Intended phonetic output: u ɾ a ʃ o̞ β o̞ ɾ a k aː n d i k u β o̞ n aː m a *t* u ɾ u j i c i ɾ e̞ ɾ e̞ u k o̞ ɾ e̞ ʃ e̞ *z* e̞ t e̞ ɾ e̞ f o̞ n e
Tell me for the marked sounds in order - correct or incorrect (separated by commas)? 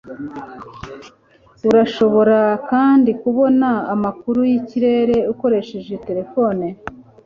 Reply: incorrect, incorrect